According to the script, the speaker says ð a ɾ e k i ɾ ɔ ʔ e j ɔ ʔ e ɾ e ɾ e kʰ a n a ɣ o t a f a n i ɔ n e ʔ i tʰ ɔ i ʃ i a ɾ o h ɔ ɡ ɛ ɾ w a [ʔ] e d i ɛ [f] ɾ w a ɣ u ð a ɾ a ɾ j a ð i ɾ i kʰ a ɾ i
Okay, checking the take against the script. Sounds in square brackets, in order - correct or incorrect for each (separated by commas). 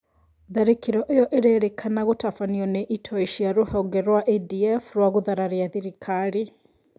correct, correct